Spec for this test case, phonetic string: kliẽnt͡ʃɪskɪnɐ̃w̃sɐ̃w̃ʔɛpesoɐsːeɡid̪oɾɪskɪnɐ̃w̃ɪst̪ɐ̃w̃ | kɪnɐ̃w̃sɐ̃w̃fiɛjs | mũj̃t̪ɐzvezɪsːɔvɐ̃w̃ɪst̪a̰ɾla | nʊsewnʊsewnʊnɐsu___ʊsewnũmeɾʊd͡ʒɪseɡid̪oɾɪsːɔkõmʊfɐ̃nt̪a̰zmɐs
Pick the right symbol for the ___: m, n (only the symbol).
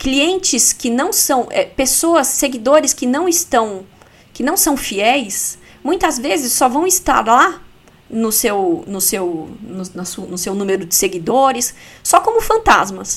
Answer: n